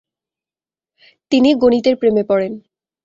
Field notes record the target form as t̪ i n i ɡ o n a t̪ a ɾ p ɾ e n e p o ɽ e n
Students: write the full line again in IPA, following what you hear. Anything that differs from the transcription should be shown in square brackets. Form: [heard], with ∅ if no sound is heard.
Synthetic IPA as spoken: t̪ i n i ɡ o n [i] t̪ [e] ɾ p ɾ e [m] e p [ɔ] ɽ e n